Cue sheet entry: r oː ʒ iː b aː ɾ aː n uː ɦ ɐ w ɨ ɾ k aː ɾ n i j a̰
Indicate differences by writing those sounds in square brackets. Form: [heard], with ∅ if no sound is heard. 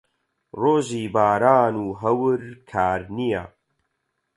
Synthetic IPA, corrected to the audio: r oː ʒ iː b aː ɾ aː n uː ɦ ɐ w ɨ ɾ [kʰ] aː ɾ n i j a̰